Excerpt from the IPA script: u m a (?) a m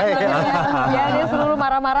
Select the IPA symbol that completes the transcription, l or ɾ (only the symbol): ɾ